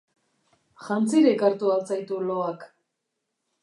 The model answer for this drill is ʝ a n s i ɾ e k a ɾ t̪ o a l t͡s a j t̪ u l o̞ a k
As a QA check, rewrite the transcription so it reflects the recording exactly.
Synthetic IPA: ʝ a n t͡s i ɾ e k a ɾ t̪ u a l t͡s a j t̪ u l o̞ a k